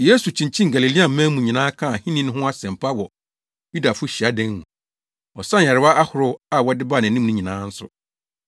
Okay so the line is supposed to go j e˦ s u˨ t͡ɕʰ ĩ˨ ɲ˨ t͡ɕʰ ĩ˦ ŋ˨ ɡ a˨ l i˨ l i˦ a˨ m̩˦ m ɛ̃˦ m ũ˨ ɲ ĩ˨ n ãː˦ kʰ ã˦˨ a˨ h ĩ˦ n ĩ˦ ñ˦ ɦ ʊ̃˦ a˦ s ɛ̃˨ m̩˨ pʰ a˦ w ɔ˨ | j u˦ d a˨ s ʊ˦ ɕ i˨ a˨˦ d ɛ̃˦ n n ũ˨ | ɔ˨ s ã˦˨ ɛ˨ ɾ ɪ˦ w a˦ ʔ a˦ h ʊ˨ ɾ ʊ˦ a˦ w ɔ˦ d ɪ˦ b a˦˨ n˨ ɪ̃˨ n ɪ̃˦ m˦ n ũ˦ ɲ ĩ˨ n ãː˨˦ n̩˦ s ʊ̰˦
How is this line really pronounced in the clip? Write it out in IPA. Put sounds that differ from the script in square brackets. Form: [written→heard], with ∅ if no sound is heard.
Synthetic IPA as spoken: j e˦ s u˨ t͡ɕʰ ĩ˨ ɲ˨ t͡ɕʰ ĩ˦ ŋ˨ ɡ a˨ l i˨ l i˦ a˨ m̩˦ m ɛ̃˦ m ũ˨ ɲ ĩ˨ n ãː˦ kʰ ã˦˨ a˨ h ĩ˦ n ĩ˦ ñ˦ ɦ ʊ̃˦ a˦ s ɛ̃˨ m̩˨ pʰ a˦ w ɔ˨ | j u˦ d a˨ [s→f] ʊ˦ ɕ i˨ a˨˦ d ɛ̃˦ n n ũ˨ | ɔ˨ s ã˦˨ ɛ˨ ɾ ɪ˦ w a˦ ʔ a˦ h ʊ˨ ɾ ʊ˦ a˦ w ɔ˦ d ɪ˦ b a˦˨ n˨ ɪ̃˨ n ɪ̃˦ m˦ n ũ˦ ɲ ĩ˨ n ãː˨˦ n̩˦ s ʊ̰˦